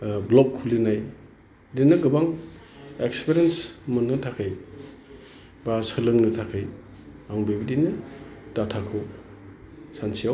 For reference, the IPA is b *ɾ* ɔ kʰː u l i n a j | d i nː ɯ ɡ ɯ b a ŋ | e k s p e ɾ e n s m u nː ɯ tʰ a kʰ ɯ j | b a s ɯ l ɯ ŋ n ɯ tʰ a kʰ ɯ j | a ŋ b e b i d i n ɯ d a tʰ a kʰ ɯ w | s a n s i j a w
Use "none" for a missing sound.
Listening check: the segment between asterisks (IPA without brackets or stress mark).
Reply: l